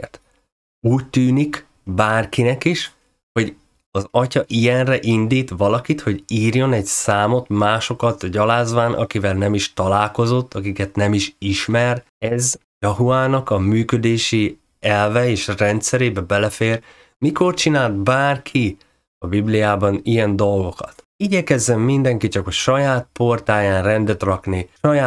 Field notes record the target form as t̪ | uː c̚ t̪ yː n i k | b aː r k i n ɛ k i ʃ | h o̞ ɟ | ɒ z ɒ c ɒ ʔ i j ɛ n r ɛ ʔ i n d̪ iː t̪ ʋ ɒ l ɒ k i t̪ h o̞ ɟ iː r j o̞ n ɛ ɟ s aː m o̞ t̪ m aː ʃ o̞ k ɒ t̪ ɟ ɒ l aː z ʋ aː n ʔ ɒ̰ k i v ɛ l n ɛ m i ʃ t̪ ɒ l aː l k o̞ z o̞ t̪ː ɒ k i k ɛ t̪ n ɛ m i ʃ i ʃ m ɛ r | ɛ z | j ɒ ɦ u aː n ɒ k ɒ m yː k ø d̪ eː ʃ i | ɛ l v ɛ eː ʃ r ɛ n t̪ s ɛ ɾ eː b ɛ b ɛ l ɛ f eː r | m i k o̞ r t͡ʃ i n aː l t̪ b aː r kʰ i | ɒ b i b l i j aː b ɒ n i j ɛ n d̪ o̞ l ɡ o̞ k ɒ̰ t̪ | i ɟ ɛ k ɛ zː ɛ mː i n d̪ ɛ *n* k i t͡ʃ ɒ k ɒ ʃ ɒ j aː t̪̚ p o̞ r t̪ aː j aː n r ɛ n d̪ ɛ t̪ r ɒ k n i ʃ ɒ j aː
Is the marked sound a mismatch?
yes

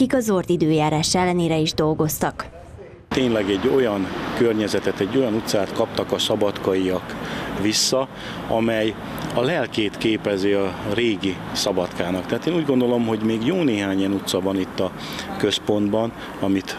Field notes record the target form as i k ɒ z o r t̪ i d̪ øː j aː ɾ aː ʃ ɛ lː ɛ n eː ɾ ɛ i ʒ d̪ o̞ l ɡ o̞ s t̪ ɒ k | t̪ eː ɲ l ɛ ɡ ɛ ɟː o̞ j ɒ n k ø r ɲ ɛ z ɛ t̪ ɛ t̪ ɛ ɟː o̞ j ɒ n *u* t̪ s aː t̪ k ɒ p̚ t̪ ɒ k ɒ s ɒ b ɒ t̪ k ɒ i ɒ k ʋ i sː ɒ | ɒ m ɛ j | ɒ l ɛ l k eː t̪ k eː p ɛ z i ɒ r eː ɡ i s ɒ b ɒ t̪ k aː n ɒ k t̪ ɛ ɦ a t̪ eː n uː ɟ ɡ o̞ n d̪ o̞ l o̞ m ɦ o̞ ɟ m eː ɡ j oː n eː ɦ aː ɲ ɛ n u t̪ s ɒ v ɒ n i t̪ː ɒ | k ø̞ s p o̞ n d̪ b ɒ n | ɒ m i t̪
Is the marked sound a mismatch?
no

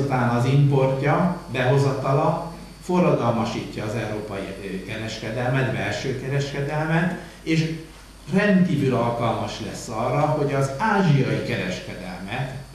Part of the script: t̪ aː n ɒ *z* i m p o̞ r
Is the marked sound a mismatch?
no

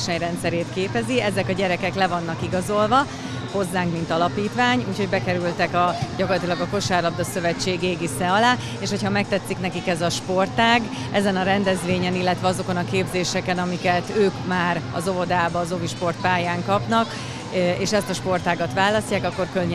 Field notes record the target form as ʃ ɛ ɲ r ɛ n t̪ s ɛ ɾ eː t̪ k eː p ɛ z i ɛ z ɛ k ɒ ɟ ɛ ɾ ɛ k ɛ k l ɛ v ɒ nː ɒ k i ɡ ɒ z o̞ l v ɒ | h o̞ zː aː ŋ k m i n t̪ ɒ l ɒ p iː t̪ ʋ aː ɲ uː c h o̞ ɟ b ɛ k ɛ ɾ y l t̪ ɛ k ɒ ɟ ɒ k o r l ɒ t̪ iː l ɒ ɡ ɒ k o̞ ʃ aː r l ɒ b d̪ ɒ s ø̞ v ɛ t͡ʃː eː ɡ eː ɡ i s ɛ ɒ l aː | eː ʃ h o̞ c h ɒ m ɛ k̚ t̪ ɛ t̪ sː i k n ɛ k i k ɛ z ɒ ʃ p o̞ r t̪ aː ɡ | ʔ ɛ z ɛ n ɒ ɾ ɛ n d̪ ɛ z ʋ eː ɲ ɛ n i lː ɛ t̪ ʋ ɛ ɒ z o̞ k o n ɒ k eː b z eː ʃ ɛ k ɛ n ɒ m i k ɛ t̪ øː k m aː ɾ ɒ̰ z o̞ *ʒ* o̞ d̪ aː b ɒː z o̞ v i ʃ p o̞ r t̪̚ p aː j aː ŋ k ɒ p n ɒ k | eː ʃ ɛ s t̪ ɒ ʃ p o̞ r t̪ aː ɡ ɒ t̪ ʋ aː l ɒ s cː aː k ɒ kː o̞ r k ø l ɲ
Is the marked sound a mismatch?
yes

